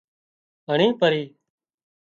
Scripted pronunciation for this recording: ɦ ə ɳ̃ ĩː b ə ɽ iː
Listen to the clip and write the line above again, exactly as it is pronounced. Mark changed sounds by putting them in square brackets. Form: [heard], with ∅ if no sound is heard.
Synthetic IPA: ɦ ə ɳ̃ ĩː [p] ə [ɾ] iː